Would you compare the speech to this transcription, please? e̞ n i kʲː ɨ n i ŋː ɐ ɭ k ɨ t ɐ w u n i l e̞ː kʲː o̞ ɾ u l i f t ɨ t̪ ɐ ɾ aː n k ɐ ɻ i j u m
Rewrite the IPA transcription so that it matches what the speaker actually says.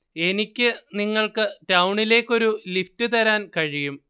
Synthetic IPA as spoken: e̞ n i kʲː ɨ n i ŋː ɐ ɭ k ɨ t ɐ w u ɳ i l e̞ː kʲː o̞ ɾ u l i f t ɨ t̪ ɐ ɾ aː n k ɐ ɻ i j u m